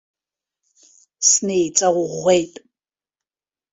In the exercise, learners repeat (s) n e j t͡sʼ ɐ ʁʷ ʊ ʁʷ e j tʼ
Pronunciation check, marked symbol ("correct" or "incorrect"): correct